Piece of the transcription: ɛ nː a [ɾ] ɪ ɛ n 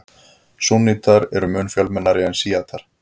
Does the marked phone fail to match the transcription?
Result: no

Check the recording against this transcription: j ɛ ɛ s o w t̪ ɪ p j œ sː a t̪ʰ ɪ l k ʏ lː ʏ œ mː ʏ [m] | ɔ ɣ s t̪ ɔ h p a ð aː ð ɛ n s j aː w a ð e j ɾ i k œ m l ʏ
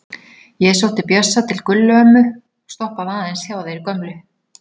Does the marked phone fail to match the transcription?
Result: yes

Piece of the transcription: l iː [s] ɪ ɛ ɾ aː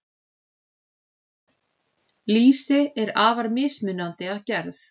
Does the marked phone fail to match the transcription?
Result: no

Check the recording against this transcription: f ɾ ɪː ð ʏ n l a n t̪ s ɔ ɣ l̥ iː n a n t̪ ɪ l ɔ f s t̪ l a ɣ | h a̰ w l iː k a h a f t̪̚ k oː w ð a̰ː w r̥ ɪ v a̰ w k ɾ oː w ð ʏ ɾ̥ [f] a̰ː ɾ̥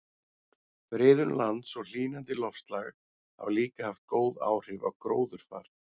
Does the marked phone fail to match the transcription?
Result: no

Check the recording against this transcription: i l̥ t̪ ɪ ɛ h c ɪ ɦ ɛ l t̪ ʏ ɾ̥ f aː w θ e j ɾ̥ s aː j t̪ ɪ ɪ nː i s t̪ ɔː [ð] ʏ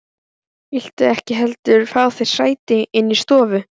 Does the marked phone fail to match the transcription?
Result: yes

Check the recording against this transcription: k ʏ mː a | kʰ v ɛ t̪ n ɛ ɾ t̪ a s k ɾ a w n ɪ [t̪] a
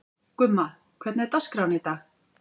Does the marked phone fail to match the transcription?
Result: no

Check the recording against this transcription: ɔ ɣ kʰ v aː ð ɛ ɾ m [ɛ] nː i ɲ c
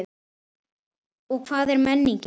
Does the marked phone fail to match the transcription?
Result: no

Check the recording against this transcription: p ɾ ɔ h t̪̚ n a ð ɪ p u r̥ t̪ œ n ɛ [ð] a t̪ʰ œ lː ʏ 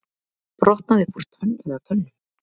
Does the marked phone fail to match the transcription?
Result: no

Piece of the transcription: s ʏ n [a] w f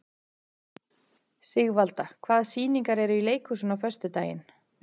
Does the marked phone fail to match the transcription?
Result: no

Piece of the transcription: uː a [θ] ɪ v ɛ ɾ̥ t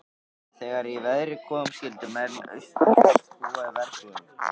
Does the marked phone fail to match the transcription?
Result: yes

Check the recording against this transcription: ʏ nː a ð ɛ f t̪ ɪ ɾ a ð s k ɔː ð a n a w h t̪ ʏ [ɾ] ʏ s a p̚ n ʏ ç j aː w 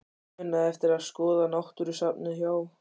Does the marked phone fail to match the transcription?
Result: no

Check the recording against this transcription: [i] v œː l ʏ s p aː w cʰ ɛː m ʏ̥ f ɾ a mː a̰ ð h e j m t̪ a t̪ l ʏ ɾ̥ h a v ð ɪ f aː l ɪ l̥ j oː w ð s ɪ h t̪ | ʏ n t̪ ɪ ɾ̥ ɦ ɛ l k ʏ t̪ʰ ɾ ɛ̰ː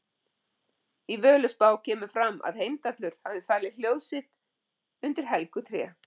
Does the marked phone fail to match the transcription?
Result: no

